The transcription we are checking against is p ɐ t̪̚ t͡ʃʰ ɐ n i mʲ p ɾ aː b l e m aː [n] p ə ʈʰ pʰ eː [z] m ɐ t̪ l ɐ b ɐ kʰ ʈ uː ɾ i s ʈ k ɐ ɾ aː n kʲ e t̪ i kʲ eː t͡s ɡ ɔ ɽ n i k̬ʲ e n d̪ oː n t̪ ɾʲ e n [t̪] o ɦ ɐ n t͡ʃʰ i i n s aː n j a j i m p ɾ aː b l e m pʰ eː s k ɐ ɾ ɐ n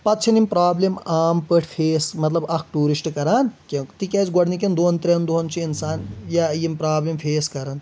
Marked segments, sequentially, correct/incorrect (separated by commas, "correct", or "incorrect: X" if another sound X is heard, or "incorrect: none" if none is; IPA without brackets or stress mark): incorrect: m, incorrect: s, incorrect: d̪